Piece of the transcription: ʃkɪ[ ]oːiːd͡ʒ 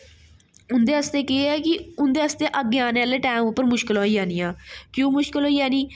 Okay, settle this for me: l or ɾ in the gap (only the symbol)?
l